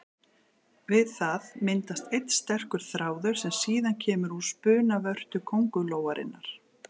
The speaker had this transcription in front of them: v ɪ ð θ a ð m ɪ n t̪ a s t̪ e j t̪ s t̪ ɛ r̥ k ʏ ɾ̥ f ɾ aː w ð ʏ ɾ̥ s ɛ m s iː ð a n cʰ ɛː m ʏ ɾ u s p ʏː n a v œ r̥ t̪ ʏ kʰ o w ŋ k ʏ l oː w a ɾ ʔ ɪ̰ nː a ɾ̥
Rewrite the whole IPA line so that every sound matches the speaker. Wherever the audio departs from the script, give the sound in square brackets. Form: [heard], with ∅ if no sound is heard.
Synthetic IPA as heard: v ɪ ð θ a ð m ɪ n t̪ a s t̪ e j t̪ s t̪ ɛ r̥ k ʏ ɾ̥ [θ] ɾ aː w ð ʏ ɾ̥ s ɛ m s iː ð a n cʰ ɛː m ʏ ɾ u s p ʏː n a v œ r̥ t̪ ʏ kʰ o w ŋ k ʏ l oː w a ɾ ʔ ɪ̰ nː a ɾ̥